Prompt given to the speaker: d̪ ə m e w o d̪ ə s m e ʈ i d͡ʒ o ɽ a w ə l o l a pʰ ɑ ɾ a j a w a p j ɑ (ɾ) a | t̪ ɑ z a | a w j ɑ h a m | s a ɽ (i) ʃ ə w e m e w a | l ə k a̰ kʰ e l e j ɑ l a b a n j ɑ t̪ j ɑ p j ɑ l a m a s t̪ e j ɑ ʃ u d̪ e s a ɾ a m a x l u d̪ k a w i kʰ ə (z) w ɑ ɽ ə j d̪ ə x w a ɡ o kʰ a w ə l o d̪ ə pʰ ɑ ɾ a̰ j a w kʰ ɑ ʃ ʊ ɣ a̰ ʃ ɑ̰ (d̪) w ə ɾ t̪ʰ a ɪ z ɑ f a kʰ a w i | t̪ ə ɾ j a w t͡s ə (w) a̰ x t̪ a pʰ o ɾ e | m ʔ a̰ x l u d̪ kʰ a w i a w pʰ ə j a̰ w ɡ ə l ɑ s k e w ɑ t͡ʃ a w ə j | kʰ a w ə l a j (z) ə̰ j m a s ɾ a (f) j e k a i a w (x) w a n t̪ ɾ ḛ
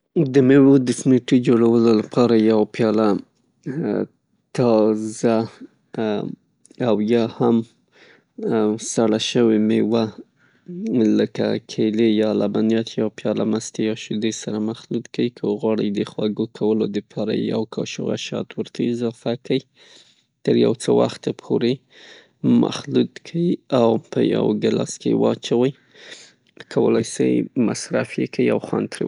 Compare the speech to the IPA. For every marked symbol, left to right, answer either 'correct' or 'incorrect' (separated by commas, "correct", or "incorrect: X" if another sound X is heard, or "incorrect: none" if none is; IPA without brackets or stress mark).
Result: incorrect: l, incorrect: a, incorrect: ɣ, incorrect: t̪, correct, incorrect: s, correct, correct